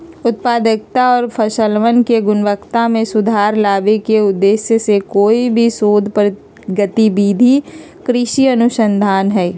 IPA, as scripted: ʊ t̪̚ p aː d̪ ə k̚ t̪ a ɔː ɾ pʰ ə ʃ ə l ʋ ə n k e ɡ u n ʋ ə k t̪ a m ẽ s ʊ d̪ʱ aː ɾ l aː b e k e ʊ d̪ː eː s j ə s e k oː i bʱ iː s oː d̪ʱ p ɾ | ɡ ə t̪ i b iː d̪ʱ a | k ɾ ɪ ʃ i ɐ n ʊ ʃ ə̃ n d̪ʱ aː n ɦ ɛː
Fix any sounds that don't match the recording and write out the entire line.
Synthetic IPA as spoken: ʊ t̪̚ p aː d̪ ə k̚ t̪ a ɔː ɾ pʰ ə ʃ ə l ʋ ə n k e ɡ ʊ n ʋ ə k t̪ a m ẽ s ʊ d̪ʱ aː ɾ l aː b e k e ʊ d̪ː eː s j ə s e k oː i bʱ i s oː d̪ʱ p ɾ | ɡ ə t̪ i b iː d̪ʱ i | k ɾ ɪ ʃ i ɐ n ʊ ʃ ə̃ n d̪ʱ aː n ɦ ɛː